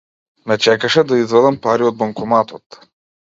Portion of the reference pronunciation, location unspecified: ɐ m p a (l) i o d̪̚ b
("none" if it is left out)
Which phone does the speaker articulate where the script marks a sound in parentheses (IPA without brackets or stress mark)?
ɾ